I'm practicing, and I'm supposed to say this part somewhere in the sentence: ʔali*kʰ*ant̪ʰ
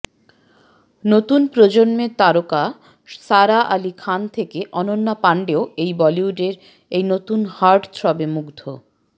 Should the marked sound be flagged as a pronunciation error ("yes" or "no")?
no